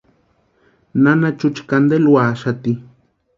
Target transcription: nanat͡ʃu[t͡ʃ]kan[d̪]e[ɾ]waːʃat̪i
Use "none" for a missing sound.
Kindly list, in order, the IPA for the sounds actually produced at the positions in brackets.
t͡ʃ, d̪, l

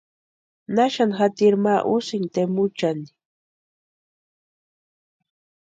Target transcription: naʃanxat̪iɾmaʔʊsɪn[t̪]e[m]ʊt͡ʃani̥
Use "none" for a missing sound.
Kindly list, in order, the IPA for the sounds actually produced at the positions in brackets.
t̪, m

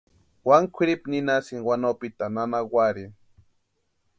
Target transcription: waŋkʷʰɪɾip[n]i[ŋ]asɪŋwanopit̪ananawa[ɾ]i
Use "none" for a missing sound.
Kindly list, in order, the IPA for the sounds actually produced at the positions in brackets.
n, n, ɾ

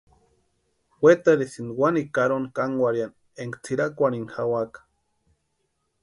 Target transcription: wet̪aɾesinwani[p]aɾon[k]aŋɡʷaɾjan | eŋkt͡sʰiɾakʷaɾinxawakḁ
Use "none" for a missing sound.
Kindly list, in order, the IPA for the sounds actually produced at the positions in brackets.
k, k

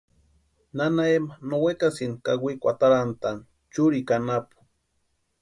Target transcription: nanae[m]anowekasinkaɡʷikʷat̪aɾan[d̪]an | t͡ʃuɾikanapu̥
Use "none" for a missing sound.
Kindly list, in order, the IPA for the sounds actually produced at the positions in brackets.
m, t̪

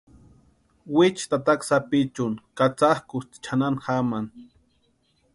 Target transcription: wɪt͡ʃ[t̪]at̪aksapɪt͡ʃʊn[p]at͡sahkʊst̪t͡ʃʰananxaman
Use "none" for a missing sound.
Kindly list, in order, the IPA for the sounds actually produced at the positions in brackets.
t̪, k

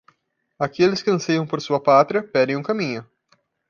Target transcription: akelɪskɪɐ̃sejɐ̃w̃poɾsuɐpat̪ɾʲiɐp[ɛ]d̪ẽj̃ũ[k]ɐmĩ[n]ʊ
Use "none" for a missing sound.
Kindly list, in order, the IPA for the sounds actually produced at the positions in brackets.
ɛ, k, ɲ

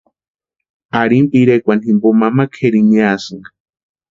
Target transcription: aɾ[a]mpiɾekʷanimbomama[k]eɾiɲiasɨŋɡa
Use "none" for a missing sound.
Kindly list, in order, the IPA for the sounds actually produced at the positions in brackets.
i, kʰ

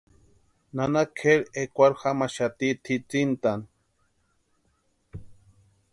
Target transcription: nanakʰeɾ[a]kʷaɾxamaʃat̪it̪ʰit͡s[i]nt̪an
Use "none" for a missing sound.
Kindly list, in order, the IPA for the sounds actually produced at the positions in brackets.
e, i

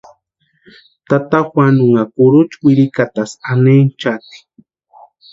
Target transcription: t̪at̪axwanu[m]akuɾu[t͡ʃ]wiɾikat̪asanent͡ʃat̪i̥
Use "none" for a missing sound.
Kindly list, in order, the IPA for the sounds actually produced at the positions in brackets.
ŋ, t͡ʃ

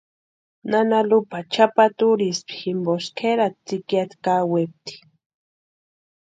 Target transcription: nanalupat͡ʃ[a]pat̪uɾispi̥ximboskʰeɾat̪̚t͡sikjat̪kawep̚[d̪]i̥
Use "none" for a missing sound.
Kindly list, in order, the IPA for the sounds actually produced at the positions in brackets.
a, t̪

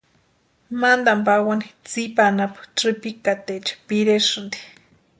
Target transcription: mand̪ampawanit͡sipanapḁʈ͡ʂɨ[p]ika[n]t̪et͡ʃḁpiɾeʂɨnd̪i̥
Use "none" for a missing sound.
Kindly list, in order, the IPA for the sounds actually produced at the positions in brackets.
p, none

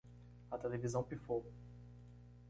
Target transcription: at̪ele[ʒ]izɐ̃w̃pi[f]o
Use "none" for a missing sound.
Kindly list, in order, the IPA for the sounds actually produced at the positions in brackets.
v, f

